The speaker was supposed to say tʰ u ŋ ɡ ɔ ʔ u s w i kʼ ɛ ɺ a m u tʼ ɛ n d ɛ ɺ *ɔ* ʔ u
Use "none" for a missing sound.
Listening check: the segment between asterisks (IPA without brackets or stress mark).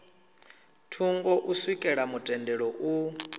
ɔ